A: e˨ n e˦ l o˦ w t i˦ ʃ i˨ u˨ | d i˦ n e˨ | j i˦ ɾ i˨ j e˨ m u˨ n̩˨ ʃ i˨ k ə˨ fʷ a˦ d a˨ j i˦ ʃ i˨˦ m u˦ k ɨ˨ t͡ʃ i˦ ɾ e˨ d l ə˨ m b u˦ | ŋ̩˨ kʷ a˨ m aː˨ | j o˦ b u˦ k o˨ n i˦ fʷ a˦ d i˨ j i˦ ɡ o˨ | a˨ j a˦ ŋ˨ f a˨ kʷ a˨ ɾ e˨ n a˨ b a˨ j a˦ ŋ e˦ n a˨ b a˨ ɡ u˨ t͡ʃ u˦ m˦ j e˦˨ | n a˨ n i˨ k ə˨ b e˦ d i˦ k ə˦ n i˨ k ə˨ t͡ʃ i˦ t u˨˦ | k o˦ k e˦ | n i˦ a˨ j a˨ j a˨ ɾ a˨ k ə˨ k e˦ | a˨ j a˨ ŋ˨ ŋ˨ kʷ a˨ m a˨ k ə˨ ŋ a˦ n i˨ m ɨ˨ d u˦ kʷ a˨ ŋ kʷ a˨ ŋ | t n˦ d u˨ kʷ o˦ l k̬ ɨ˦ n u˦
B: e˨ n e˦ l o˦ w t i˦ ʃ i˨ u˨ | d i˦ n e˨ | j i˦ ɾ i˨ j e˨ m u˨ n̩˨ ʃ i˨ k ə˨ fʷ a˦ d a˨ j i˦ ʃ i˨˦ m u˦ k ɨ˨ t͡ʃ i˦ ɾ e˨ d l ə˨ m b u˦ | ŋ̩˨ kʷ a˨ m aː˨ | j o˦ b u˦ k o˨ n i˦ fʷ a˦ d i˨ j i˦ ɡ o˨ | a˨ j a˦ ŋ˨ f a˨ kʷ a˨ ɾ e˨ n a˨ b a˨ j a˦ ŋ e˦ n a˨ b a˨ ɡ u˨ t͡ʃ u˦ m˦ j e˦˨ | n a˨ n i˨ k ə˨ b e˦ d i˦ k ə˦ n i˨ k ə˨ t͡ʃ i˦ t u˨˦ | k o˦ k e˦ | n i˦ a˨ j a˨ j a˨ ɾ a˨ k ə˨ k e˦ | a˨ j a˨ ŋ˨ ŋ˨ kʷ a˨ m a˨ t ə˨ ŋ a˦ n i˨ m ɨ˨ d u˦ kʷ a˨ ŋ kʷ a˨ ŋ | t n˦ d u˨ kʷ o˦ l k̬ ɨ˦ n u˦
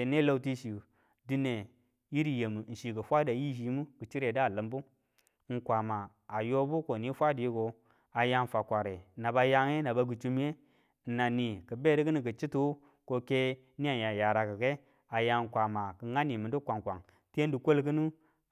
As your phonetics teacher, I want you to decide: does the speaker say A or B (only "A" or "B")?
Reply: A